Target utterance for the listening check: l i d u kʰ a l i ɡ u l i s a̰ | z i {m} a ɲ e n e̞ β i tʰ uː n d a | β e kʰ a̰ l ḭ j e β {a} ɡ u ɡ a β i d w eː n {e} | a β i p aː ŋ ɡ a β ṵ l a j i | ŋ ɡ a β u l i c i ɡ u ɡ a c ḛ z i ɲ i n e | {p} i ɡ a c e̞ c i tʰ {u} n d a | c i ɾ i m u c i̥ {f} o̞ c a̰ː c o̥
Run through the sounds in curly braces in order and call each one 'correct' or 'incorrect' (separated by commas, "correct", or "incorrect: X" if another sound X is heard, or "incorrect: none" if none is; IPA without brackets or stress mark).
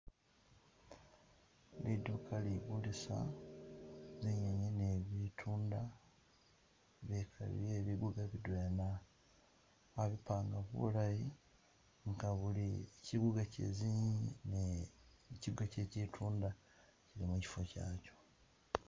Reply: incorrect: ɲ, incorrect: i, incorrect: a, incorrect: c, incorrect: uː, correct